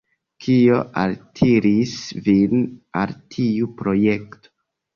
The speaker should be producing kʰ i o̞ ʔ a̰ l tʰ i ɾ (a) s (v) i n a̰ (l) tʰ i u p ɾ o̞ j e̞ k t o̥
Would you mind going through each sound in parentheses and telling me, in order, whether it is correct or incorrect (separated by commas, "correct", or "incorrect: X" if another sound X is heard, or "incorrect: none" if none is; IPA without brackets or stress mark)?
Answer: incorrect: i, correct, correct